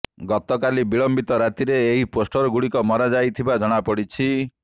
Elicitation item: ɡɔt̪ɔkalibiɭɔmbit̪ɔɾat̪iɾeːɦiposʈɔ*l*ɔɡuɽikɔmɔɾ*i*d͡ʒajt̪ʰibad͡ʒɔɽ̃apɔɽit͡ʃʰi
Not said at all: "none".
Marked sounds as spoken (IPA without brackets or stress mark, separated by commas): ɾ, a